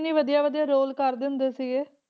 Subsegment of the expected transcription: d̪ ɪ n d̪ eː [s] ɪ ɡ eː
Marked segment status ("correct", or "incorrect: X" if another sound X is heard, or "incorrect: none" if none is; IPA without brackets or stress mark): correct